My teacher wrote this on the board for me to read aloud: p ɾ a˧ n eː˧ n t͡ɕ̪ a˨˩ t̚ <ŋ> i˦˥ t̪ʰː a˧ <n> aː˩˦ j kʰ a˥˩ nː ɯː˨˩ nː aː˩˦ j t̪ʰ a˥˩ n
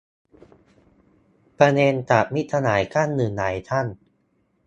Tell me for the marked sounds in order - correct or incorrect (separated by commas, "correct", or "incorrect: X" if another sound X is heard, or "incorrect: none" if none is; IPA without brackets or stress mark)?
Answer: incorrect: m, correct